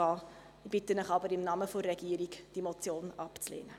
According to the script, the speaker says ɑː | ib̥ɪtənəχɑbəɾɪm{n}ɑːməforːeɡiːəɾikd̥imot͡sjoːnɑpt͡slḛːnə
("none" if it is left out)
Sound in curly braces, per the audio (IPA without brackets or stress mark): n